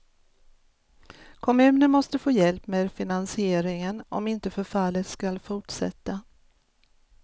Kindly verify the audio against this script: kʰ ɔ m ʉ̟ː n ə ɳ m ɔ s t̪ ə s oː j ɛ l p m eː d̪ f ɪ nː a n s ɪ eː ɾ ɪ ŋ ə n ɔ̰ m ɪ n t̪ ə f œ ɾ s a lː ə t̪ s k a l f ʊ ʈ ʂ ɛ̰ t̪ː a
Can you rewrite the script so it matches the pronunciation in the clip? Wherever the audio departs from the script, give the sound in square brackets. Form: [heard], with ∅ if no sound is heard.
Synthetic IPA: kʰ ɔ m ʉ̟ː n ə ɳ m ɔ s t̪ ə [f] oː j ɛ l p m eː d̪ f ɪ [n] a n s ɪ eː ɾ ɪ ŋ ə n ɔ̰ m ɪ n t̪ ə f œ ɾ [f] a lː ə t̪ s k a l f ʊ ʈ ʂ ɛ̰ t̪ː a